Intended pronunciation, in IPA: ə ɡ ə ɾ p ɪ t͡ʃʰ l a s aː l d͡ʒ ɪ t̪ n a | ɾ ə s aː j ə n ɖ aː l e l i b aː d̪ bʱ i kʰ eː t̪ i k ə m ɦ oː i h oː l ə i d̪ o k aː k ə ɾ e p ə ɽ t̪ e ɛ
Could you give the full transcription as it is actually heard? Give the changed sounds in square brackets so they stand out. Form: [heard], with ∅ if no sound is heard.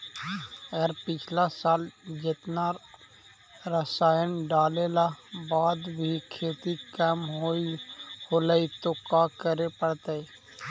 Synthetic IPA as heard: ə ɡ ə ɾ p ɪ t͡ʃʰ l a s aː l d͡ʒ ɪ t̪ n a | ɾ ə s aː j ə n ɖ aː l e l [a] b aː d̪ bʱ i kʰ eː t̪ i k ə m ɦ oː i h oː l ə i [t̪] o k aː k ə ɾ e p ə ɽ t̪ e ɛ